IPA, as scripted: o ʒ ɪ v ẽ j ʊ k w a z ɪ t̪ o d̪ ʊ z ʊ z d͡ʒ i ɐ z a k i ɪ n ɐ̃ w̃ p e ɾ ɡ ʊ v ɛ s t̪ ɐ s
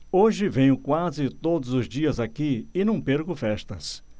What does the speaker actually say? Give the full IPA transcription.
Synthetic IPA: o ʒ ɪ v ẽ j ʊ k w a z ɪ t̪ o d̪ ʊ z ʊ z d͡ʒ i ɐ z a k i ɪ n ɐ̃ w̃ p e ɾ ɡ ʊ f ɛ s t̪ ɐ s